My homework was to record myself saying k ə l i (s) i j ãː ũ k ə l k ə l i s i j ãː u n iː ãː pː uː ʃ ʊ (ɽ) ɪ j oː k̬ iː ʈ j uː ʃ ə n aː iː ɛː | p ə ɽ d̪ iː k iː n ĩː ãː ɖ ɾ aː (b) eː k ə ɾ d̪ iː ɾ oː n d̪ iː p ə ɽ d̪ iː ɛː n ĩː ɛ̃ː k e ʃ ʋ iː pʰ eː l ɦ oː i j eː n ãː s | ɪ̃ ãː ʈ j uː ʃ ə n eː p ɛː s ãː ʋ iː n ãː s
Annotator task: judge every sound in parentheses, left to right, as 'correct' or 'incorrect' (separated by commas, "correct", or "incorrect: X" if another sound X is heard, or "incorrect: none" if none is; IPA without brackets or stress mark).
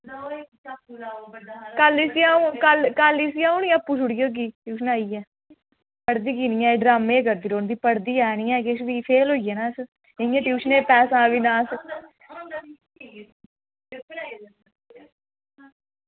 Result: correct, correct, incorrect: m